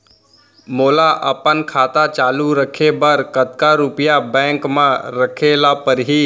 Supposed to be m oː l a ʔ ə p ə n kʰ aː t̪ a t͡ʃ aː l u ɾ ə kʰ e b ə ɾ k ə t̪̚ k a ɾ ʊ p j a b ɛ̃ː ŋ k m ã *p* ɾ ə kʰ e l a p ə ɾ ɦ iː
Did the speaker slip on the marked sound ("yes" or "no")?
yes